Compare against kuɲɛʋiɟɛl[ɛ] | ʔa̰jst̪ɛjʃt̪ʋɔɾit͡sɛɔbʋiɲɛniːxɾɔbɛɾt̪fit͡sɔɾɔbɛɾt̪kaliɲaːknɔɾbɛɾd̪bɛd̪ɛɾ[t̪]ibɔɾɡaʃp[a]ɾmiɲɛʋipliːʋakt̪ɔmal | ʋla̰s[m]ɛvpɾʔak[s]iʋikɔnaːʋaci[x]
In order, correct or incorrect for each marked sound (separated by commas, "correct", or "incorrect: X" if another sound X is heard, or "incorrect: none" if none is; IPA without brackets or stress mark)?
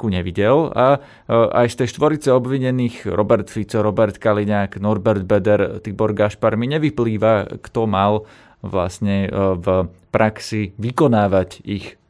incorrect: a, correct, correct, incorrect: ɲ, correct, correct